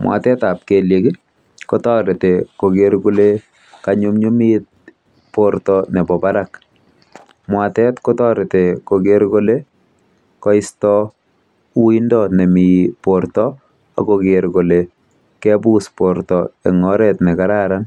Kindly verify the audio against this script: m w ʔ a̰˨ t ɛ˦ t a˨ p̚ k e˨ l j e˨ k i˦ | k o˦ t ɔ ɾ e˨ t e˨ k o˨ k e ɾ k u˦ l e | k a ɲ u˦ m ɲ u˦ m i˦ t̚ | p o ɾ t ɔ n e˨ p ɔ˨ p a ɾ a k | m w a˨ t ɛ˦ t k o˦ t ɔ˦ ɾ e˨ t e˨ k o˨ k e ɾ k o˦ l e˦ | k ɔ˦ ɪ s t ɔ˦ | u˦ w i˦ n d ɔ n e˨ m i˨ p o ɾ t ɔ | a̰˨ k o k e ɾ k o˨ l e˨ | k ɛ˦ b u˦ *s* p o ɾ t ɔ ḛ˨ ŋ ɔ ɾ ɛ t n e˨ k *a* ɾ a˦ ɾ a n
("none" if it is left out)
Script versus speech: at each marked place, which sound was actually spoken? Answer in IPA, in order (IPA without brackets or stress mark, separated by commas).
s, a